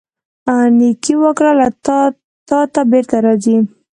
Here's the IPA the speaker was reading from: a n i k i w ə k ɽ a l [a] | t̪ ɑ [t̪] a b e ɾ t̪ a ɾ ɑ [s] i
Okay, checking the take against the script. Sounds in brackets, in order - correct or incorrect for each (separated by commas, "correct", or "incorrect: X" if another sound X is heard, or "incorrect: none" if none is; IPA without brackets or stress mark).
correct, correct, incorrect: z